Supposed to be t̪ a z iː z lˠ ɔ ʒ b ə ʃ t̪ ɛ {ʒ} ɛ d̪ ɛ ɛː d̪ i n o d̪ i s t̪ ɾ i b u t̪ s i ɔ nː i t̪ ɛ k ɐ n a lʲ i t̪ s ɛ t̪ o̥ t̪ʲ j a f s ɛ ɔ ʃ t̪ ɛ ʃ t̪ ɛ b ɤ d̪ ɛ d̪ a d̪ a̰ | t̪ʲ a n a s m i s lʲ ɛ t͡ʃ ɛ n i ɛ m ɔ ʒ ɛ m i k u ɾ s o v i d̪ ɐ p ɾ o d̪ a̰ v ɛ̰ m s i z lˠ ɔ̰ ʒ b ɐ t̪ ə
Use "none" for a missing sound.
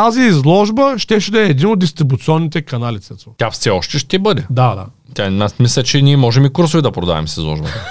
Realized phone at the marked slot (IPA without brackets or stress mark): ʃ